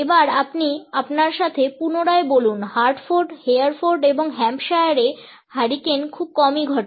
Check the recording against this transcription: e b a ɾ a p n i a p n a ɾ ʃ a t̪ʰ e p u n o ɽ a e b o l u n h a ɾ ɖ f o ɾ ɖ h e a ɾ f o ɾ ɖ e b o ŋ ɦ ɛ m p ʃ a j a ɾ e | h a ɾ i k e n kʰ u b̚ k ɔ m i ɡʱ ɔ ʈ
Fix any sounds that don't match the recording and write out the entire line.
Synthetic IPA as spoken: e b a ɾ a p n i a p n a ɾ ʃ a t̪ʰ e p u n o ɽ a e b o l u n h a ɾ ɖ f o ɾ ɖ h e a ɾ f o ɾ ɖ e b o ŋ ɦ ɛ m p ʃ a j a ɾ e | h a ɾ i k e n kʰ u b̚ k ɔ m i ɡʱ ɔ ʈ